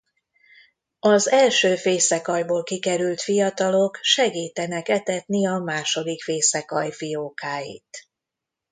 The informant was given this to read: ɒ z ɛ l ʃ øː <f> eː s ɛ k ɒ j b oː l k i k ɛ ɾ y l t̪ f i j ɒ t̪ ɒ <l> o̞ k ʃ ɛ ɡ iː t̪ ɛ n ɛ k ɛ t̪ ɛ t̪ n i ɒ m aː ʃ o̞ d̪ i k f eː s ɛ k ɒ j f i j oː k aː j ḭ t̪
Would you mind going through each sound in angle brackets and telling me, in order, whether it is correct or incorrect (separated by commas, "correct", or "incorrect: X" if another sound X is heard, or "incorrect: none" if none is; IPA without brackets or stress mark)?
correct, correct